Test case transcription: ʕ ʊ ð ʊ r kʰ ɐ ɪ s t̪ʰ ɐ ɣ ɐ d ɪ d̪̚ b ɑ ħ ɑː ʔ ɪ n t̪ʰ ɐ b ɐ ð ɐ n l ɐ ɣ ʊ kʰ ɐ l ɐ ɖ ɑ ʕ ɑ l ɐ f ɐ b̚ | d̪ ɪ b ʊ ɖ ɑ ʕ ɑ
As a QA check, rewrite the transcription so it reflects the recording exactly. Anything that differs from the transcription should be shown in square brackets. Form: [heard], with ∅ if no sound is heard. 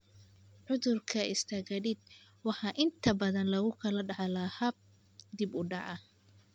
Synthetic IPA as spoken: ʕ ʊ ð ʊ r kʰ ɐ ɪ s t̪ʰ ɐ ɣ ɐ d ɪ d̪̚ [w] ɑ ħ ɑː ʔ ɪ n t̪ʰ ɐ b ɐ ð ɐ n l ɐ ɣ ʊ kʰ ɐ l ɐ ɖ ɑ ʕ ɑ l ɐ [h] ɐ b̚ | d̪ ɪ b ʊ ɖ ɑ ʕ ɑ